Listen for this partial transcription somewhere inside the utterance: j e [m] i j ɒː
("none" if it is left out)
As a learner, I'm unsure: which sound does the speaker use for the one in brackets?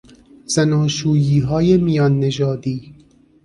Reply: m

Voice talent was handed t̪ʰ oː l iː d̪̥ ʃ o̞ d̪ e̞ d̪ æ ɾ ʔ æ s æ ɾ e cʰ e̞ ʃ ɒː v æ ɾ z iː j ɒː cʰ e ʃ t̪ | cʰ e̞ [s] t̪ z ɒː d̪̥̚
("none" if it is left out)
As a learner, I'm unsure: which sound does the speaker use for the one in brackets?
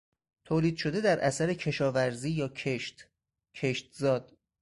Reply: ʃ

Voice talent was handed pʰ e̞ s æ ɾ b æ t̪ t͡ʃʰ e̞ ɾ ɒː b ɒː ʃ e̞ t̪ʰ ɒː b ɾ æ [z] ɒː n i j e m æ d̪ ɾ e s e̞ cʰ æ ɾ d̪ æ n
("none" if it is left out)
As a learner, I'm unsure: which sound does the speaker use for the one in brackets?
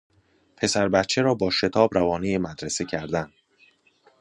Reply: v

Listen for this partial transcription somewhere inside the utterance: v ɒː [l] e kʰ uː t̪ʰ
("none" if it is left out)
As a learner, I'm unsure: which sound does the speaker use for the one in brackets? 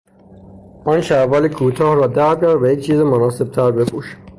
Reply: l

